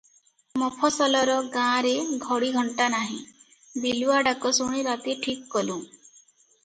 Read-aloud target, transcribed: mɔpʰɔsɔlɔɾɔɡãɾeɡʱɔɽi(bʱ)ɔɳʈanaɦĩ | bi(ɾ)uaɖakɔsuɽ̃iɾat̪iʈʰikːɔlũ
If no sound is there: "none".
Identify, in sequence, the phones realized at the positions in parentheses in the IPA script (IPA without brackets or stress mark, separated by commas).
ɡʱ, l